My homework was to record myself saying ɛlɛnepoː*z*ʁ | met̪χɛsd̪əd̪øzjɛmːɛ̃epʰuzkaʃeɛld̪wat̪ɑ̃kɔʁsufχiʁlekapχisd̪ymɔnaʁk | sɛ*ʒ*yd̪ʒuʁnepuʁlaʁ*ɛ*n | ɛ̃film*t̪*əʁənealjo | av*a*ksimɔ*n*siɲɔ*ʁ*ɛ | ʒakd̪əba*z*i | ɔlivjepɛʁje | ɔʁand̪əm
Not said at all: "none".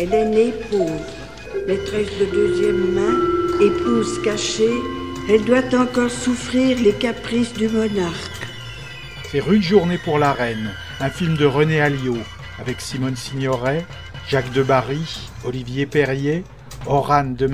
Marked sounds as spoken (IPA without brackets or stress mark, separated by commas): v, ʁ, ɛ, d̪, ɛ, n, ʁ, ʁ